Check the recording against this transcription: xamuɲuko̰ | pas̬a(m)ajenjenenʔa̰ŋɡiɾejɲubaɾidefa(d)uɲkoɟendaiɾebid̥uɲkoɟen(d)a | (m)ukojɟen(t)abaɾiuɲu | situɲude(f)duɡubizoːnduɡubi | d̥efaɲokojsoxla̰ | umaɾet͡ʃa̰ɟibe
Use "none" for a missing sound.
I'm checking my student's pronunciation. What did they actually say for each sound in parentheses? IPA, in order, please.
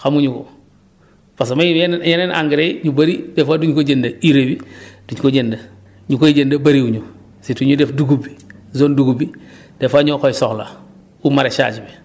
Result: m, d, d, ɲ, d, f

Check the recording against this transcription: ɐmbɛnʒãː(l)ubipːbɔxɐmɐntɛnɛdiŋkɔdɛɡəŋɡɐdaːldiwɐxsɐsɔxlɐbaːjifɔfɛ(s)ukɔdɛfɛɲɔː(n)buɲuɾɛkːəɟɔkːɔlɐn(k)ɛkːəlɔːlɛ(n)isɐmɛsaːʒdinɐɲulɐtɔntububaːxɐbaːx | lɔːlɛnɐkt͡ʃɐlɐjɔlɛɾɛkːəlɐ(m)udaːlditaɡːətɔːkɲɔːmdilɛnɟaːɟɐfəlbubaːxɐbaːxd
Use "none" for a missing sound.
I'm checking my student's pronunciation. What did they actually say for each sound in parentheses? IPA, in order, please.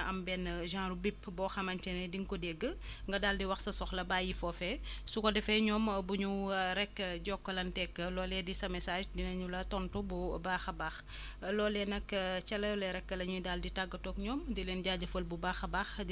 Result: ɾ, s, m, t, d, ɲ

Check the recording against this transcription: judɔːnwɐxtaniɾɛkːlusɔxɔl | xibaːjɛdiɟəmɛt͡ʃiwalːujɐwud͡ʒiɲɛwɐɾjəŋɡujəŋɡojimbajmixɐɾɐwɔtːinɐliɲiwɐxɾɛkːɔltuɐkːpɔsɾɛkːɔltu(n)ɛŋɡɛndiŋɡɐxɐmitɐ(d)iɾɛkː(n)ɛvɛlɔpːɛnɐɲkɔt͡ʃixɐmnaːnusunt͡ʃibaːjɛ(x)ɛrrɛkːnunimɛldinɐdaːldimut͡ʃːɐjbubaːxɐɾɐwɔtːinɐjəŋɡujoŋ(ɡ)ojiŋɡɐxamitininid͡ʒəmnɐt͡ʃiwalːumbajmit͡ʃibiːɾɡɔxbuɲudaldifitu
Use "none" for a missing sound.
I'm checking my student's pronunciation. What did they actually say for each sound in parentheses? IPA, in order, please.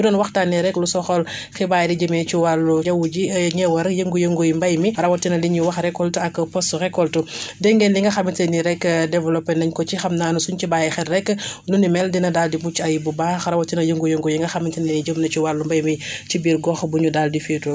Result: d, n, d, x, ɡ

